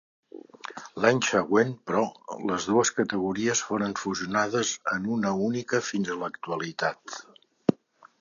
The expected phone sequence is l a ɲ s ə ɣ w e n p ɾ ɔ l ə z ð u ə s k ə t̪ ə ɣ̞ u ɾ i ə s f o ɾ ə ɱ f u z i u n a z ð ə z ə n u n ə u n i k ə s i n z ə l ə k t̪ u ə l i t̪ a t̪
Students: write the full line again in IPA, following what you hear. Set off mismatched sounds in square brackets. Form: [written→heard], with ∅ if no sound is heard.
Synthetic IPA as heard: l a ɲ s ə ɣ w e n p ɾ ɔ l ə z ð u ə s k ə t̪ ə ɣ̞ u ɾ i ə s f o ɾ ə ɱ f u z i u n a [z→∅] ð ə z ə n u n ə u n i k ə [s→f] i n z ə l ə k t̪ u ə l i t̪ a t̪